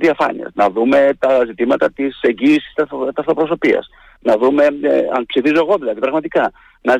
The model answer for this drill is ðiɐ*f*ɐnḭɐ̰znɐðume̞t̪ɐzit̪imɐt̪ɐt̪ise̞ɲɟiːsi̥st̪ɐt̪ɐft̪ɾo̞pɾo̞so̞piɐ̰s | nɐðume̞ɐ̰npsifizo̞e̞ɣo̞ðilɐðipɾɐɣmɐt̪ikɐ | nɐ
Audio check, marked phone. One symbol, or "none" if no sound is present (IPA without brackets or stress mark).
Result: f